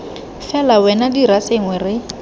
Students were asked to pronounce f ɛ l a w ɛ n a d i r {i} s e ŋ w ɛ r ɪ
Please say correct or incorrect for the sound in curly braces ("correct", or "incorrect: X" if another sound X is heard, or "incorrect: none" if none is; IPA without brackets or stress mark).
incorrect: a